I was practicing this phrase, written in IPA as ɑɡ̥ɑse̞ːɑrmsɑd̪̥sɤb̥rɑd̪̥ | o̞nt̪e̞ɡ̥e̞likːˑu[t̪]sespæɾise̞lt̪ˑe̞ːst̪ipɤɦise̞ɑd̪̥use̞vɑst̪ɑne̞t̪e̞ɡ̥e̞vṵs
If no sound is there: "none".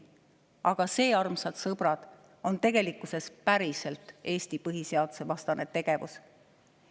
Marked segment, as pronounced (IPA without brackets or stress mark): none